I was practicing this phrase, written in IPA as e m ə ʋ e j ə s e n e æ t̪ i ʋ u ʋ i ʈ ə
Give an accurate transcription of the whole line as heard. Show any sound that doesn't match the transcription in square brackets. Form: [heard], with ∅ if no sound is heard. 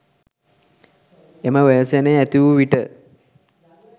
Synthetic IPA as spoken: e m ə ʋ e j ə s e n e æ t̪ i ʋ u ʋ i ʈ ə